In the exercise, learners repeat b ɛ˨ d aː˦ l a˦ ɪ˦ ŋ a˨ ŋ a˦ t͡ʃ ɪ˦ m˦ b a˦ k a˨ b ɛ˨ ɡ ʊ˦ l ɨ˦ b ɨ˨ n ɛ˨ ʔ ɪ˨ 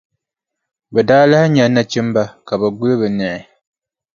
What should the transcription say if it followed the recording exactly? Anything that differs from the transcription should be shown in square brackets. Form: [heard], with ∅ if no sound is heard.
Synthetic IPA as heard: b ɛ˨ d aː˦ l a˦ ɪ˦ [ɲ] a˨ [n] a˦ t͡ʃ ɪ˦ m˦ b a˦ k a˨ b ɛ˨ ɡ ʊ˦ l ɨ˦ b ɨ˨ n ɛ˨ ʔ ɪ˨